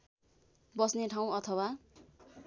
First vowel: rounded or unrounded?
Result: unrounded